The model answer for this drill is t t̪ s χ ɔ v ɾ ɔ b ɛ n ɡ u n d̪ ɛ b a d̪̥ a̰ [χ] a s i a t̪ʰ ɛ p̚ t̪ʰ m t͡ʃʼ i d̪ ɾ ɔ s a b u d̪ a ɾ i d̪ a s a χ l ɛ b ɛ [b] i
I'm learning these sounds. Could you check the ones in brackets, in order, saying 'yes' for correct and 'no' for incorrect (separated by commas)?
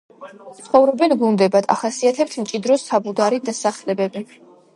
yes, yes